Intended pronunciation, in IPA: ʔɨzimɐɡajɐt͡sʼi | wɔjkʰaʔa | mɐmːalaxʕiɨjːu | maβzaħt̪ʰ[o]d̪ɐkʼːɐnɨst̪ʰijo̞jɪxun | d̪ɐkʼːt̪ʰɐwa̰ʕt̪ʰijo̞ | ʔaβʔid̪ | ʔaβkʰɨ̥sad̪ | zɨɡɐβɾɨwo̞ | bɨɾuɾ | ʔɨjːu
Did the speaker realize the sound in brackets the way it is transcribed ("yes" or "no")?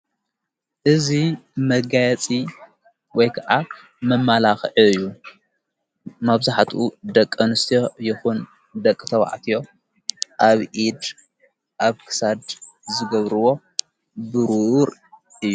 no